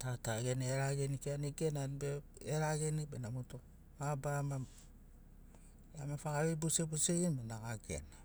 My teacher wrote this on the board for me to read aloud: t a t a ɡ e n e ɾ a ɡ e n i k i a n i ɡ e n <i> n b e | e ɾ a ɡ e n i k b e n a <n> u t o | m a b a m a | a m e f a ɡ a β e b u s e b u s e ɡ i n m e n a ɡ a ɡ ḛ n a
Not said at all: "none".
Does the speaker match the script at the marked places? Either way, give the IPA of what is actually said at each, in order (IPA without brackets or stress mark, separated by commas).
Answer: a, m